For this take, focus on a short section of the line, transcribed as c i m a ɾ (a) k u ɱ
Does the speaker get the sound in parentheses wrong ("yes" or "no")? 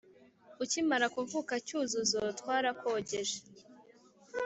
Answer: no